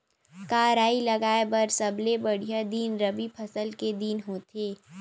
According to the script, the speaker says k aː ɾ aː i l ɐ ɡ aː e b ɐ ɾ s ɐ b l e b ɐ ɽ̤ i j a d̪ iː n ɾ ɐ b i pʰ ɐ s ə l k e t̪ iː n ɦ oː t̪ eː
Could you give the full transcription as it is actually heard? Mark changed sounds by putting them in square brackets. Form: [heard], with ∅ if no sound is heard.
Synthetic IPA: k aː ɾ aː i l ɐ ɡ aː e b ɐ ɾ s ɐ b l e b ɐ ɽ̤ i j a d̪ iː n ɾ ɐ b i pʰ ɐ s ə l k e [d̪] iː n ɦ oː t̪ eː